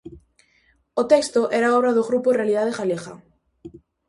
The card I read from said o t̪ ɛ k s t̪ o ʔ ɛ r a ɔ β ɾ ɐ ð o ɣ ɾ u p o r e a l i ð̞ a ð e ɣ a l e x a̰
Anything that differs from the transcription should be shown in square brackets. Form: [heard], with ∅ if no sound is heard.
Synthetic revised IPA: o t̪ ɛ k s t̪ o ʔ ɛ [ɾ] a ɔ β ɾ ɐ ð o ɣ ɾ u p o r e a l i ð̞ a ð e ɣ a l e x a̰